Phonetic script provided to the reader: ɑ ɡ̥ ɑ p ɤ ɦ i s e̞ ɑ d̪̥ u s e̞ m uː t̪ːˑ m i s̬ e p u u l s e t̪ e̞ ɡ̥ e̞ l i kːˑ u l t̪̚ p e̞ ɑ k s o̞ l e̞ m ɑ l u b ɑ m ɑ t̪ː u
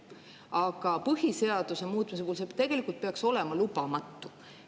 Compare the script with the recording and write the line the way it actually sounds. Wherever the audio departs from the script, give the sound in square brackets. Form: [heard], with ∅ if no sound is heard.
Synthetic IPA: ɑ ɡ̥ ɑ p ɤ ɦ i s e̞ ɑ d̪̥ u s e̞ m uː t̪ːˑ m i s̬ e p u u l s e t̪ e̞ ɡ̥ e̞ l i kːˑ u l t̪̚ p e̞ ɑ k s o̞ l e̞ m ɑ l u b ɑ m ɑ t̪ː u